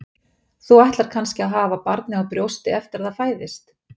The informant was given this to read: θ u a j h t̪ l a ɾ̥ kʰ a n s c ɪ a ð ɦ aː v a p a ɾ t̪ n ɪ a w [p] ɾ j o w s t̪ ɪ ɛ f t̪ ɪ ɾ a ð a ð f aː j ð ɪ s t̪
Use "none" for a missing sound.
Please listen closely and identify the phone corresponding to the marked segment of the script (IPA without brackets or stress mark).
p